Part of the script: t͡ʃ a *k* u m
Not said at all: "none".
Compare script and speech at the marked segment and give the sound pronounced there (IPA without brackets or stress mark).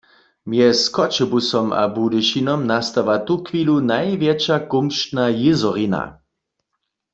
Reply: k